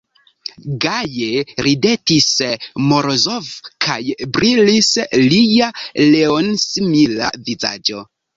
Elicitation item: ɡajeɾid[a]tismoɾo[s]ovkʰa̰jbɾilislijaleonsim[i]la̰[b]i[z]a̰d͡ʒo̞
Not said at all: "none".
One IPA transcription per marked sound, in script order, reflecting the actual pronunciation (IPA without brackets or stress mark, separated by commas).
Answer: e, z, i, v, z